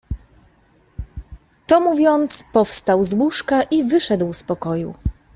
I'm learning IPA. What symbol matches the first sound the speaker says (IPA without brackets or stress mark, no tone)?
t̪